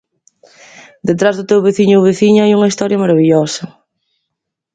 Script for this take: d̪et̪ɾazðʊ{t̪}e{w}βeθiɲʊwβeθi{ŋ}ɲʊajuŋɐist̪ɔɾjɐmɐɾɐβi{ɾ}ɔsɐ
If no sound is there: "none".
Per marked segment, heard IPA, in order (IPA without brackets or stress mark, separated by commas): t̪, w, none, ʎ